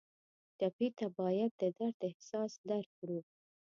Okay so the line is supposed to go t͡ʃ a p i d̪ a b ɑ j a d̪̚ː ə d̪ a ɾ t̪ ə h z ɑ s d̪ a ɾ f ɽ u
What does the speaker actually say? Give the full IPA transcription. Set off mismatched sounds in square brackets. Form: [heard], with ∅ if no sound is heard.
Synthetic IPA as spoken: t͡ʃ a p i [t̪] a b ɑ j a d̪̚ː ə d̪ a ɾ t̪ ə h [s] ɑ s d̪ a ɾ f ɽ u